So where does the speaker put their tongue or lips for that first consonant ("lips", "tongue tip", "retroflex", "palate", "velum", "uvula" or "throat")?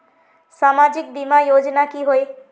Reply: tongue tip